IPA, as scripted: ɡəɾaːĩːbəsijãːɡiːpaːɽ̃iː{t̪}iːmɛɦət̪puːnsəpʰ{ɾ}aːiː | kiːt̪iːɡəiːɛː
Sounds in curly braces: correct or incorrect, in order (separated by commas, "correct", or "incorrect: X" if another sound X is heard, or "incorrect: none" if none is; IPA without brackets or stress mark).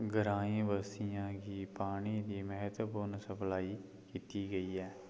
incorrect: d̪, incorrect: l